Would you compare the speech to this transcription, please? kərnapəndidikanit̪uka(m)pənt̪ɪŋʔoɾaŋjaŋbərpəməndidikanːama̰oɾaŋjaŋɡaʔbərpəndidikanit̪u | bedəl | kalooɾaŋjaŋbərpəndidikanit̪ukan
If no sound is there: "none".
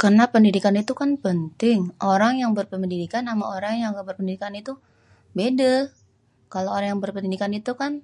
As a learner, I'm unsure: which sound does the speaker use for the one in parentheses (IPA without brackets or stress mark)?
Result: n